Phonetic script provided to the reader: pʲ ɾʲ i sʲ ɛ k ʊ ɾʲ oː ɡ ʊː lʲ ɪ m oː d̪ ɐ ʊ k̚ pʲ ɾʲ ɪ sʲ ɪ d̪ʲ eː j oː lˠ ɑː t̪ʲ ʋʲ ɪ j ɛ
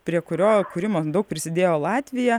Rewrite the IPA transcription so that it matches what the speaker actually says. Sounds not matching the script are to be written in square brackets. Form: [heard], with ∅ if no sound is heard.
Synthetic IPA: pʲ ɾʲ i [∅] ɛ k ʊ ɾʲ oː [k] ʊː [ɾʲ] ɪ m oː d̪ ɐ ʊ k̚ pʲ ɾʲ ɪ sʲ ɪ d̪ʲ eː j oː lˠ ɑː t̪ʲ ʋʲ ɪ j ɛ